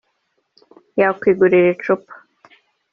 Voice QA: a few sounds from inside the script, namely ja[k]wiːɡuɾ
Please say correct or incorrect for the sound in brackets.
correct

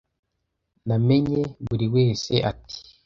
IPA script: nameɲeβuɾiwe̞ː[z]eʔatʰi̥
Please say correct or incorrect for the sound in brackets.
incorrect: s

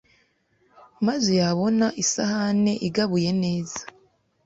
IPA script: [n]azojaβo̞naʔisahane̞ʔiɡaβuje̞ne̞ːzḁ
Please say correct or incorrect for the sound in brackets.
incorrect: m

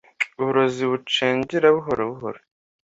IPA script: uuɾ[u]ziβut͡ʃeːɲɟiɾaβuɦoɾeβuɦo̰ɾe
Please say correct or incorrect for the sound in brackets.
incorrect: o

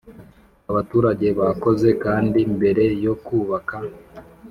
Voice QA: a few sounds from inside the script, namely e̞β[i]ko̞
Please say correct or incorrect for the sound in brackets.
incorrect: a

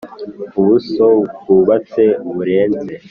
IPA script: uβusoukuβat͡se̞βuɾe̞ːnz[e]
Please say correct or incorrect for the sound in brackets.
correct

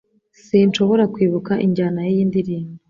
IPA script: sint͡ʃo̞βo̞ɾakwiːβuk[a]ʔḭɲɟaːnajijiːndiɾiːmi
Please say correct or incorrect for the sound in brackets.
correct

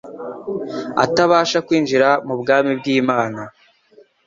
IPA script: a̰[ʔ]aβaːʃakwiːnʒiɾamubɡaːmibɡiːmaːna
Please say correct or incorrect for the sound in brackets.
incorrect: t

